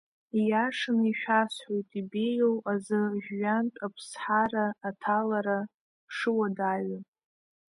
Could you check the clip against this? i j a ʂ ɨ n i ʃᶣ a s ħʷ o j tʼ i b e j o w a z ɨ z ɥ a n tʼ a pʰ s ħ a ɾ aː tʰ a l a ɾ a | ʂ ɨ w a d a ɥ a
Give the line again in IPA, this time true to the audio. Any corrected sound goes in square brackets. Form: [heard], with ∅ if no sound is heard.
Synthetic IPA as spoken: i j a ʂ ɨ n i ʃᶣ a s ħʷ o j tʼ i b e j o w a z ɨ [ʒ] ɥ a n tʼ a pʰ s ħ a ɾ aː tʰ a l a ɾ a | ʂ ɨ w a d a ɥ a

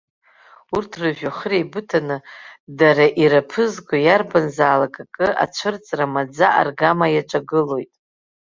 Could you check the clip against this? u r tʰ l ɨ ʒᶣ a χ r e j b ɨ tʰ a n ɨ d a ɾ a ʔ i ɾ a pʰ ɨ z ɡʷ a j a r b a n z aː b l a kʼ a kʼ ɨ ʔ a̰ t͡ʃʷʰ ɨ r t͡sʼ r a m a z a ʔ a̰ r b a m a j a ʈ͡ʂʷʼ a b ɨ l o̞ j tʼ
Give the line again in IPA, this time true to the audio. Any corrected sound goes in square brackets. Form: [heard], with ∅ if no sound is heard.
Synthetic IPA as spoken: u r tʰ [r] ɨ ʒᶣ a χ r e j b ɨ tʰ a n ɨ d a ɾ a ʔ i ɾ a pʰ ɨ z ɡʷ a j a r b a n z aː [∅] l a kʼ a kʼ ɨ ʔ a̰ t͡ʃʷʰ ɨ r t͡sʼ r a m a [d͡z] a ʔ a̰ r [ɡ] a m a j a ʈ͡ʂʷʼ a [ɡ] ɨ l o̞ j tʼ

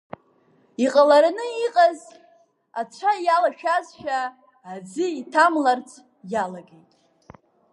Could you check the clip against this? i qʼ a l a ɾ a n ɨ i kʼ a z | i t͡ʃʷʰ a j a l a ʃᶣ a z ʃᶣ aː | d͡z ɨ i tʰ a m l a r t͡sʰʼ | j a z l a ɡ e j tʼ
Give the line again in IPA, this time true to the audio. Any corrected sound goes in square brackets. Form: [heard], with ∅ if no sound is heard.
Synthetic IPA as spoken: i qʼ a l a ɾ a n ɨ i [qʼ] a z | [a] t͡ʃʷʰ a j a l a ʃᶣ a z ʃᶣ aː | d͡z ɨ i tʰ a m l a r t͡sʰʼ | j a [∅] l a ɡ e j tʼ

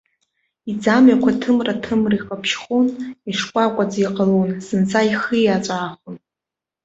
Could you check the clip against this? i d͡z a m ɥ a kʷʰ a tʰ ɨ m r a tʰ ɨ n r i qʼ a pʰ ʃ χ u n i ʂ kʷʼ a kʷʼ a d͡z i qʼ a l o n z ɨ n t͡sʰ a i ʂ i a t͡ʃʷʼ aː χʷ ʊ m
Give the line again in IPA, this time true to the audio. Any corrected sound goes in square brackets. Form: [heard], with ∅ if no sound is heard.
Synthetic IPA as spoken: i d͡z a m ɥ a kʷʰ a tʰ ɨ m r a tʰ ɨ [m] r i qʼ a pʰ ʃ χ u n i ʂ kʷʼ a kʷʼ a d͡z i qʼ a l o n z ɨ n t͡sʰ a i [χ] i a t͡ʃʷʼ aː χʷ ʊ [n]

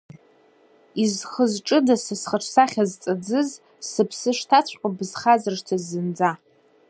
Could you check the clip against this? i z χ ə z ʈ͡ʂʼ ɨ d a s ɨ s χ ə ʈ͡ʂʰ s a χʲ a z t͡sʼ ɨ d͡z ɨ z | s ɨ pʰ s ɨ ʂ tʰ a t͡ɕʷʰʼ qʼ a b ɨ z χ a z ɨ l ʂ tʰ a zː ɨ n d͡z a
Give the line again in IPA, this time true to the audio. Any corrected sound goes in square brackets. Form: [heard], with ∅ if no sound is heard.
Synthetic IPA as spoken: i z χ ə z ʈ͡ʂʼ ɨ d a s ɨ s χ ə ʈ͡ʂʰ s a χʲ a z t͡sʼ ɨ d͡z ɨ z | s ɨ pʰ s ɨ ʂ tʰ a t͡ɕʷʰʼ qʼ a b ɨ z χ a z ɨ [r] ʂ tʰ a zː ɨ n d͡z a

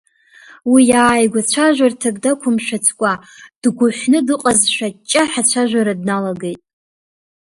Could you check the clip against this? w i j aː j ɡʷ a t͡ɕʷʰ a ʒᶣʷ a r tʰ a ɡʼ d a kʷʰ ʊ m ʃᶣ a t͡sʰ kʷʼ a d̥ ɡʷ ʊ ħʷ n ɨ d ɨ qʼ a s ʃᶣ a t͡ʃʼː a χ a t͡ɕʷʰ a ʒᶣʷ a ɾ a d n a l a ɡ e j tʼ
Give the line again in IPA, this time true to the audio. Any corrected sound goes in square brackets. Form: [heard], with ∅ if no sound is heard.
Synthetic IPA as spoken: w i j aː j ɡʷ a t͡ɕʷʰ a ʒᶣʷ a r tʰ a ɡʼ d a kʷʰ ʊ m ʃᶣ a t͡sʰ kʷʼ a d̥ ɡʷ ʊ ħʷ n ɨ d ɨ qʼ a [z] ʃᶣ a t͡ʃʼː a [ħ] a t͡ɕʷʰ a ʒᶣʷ a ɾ a d n a l a ɡ e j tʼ

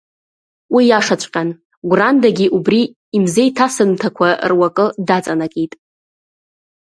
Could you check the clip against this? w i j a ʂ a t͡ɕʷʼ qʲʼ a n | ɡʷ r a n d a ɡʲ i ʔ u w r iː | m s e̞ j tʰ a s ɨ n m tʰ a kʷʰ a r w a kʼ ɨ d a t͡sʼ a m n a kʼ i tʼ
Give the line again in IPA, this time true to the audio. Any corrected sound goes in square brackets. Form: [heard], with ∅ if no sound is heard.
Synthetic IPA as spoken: w i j a ʂ a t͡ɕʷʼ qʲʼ a n | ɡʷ r a n d a ɡʲ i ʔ u [b] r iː | m [z] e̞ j tʰ a s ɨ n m tʰ a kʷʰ a r w a kʼ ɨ d a t͡sʼ a [∅] n a kʼ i tʼ

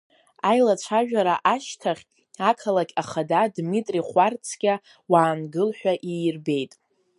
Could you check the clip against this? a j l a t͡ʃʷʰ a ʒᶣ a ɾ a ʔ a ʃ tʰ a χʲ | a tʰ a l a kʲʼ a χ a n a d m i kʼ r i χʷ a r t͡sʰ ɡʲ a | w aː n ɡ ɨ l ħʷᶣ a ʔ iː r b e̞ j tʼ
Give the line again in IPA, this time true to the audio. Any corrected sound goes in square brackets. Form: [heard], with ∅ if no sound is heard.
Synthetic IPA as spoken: a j l a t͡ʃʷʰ a ʒᶣ a ɾ a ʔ a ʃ tʰ a χʲ | a [kʰ] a l a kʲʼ a χ a [d] a d m i [tʼ] r i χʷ a r t͡sʰ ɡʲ a | w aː n ɡ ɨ l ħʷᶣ a ʔ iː r b e̞ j tʼ

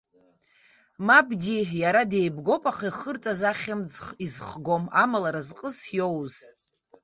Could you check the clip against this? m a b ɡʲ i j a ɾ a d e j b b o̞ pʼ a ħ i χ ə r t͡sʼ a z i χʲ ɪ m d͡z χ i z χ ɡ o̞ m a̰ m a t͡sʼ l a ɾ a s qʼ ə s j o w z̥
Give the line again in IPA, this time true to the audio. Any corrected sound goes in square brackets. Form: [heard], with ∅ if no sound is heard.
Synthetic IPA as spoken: m a b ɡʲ i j a ɾ a d e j b [ɡ] o̞ pʼ a [χ] i χ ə r t͡sʼ a z [a] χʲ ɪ m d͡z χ i z χ ɡ o̞ m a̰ m a [∅] l a ɾ a [z] qʼ ə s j o w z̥

